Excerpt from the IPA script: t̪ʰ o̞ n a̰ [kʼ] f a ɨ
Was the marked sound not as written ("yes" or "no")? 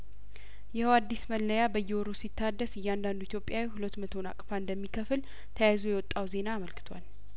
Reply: no